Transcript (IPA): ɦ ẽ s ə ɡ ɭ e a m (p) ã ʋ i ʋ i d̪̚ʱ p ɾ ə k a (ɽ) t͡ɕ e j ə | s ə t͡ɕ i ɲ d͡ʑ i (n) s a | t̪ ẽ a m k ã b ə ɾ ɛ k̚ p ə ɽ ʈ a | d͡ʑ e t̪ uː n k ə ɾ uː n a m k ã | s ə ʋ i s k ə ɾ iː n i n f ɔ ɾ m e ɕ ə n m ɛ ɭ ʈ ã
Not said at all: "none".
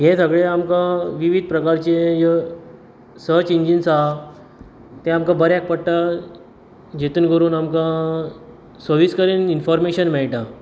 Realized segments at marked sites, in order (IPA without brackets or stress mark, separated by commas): k, ɾ, n